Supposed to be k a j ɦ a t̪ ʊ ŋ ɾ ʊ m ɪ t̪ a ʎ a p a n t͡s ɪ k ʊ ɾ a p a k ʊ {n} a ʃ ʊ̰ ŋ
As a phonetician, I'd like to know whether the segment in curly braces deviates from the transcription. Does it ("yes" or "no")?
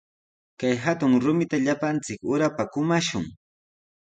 yes